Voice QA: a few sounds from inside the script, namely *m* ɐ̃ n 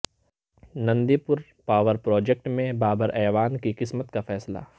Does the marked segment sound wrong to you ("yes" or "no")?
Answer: yes